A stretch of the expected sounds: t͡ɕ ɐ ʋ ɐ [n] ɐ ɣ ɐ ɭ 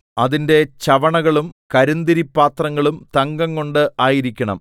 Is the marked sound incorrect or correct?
incorrect